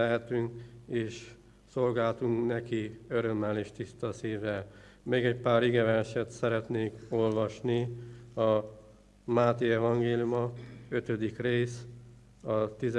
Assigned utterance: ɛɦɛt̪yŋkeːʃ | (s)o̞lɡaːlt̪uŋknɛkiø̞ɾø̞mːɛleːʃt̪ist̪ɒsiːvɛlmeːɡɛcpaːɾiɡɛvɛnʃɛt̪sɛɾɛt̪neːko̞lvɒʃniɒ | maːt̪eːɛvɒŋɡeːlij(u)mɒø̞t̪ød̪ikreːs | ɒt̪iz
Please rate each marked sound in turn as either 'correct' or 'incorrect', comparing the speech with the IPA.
correct, correct

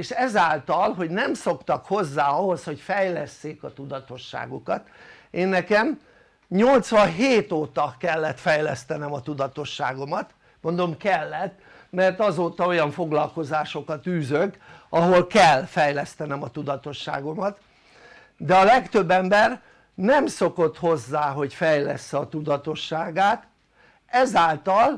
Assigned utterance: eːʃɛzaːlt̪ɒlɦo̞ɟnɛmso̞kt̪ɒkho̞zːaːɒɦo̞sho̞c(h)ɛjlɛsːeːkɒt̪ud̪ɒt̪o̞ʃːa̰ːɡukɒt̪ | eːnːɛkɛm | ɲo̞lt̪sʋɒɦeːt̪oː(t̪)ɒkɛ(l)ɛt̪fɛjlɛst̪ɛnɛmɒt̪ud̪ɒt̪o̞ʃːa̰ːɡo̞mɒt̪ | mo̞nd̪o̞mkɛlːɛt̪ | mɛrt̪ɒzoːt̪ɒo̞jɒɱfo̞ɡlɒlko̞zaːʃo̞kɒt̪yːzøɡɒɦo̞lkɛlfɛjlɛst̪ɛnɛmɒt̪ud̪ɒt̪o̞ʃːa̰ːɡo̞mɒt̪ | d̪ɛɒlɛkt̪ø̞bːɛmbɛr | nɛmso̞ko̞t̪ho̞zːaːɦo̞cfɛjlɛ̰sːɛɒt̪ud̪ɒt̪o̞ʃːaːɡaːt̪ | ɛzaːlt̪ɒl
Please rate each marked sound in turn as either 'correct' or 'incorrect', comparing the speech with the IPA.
incorrect: f, correct, incorrect: lː

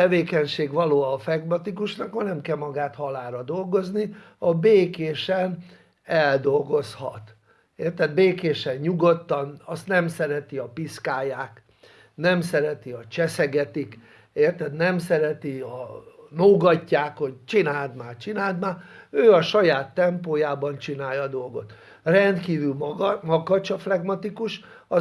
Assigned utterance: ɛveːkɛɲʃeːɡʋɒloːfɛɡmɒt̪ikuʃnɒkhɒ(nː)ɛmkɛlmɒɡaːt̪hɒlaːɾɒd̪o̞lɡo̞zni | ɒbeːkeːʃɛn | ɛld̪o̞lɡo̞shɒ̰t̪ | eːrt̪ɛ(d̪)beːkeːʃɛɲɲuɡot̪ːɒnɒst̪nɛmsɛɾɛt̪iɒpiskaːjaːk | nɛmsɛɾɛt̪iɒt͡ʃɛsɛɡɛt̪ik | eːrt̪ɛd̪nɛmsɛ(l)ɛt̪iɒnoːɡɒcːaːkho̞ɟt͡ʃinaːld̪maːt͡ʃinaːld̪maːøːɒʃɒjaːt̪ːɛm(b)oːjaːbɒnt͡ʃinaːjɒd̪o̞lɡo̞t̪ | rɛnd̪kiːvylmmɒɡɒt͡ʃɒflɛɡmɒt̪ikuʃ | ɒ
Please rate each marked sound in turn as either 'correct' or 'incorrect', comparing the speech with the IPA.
incorrect: n, correct, incorrect: ɾ, incorrect: p

